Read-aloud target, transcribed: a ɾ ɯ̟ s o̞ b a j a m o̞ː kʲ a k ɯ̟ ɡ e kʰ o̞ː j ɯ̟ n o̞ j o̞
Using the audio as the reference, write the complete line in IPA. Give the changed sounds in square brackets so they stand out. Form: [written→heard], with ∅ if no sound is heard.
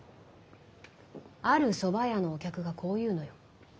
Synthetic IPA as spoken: a ɾ ɯ̟ s o̞ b a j a [m→n] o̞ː kʲ a k ɯ̟ ɡ [e→a] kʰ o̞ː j [ɯ̟→ɯ̟ː] n o̞ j o̞